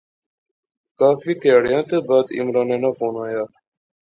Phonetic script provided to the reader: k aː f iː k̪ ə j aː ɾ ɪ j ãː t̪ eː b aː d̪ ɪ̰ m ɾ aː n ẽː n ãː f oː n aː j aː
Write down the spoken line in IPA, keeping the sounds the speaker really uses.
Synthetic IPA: k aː f iː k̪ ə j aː ɽ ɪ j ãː t̪ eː b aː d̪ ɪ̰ m ɾ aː n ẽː n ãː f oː n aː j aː